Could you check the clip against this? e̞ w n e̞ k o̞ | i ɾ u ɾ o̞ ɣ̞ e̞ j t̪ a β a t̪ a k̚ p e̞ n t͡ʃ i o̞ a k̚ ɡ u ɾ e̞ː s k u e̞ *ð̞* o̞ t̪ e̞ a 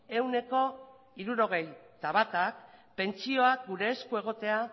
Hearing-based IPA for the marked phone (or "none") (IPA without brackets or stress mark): ɣ̞